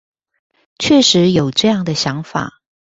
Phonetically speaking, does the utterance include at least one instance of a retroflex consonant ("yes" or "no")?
yes